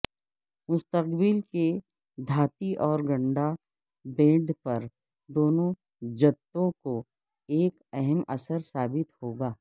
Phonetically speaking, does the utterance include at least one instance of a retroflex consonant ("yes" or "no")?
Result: yes